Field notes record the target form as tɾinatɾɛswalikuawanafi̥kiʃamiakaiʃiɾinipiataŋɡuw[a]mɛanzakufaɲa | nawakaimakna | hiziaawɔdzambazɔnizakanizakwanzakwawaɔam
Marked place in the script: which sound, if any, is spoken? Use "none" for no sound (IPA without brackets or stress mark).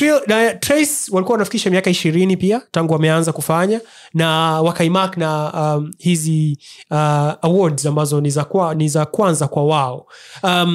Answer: a